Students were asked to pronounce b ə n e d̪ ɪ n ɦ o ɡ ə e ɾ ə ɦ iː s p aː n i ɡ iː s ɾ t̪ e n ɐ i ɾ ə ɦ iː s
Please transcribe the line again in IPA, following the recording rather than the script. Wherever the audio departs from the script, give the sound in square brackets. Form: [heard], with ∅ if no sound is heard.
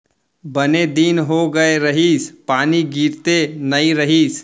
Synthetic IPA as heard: b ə n e d̪ [i] n ɦ o ɡ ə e ɾ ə ɦ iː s p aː n i ɡ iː [∅] ɾ t̪ e n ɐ i ɾ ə ɦ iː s